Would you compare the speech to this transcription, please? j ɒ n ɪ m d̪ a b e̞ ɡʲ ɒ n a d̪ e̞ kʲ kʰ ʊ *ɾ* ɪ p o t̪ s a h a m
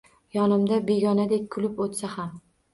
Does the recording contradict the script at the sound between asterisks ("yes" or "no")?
yes